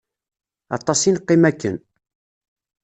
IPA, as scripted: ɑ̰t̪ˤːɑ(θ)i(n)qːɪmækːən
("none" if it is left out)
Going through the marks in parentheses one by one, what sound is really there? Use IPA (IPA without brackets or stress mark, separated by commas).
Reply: s, n